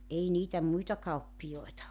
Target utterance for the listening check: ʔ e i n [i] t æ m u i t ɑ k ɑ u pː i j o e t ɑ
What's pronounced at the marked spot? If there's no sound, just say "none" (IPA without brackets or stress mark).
iː